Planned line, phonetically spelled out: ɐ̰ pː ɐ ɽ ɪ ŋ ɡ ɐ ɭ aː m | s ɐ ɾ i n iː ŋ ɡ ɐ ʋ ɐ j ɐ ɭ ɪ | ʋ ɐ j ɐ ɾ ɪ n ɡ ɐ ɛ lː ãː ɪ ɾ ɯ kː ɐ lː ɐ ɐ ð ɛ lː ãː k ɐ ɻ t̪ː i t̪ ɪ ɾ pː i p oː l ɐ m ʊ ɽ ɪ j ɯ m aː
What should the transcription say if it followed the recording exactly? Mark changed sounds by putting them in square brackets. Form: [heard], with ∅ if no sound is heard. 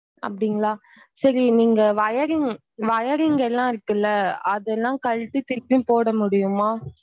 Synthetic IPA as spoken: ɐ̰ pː ɐ ɽ ɪ ŋ ɡ ɐ ɭ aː [∅] | s ɐ ɾ i n iː ŋ ɡ ɐ ʋ ɐ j ɐ [ɾ] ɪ | ʋ ɐ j ɐ ɾ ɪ [ŋ] ɡ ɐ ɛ lː ãː ɪ ɾ ɯ kː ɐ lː ɐ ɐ ð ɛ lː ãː k ɐ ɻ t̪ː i t̪ ɪ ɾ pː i p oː [ɽ] ɐ m ʊ ɽ ɪ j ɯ m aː